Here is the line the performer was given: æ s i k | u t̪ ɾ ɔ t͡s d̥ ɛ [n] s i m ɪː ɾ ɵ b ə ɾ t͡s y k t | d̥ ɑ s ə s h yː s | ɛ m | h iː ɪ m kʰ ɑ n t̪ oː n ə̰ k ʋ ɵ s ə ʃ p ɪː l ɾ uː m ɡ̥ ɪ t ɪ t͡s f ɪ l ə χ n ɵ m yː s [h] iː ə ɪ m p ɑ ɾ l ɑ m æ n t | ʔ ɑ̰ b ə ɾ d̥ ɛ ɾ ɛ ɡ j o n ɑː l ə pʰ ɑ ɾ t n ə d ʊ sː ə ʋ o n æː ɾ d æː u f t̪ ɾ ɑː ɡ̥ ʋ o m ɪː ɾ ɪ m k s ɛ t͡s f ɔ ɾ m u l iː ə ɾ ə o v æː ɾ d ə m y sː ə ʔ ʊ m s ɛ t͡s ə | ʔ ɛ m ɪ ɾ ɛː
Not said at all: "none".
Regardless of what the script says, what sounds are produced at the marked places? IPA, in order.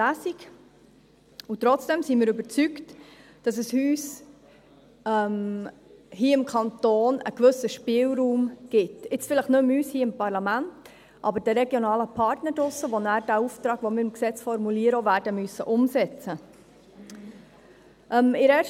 m, h

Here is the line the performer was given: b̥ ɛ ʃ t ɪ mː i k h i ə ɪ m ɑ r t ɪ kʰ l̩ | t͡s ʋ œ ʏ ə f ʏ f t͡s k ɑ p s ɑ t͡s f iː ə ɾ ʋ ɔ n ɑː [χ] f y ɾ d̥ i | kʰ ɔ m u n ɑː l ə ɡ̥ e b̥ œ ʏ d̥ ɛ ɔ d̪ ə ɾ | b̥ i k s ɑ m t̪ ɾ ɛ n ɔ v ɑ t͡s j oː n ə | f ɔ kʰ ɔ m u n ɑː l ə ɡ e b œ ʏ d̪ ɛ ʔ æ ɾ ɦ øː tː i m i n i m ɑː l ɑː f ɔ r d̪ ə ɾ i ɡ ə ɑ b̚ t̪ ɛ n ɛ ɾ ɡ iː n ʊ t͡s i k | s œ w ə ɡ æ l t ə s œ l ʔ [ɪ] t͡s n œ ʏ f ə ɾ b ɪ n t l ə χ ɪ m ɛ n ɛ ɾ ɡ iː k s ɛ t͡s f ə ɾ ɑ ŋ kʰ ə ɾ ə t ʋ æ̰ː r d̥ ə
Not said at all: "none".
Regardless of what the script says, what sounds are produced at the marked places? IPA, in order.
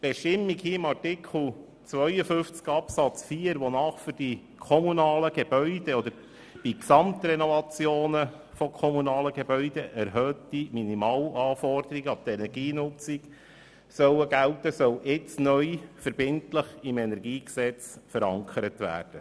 χ, ɪ

